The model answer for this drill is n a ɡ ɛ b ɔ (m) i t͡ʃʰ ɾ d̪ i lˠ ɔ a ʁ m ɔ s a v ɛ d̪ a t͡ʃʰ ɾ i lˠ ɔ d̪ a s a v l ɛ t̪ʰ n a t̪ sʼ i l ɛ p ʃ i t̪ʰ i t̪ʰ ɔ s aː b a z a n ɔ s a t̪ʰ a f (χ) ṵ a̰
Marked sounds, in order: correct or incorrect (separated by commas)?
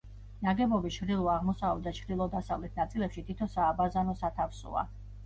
incorrect, incorrect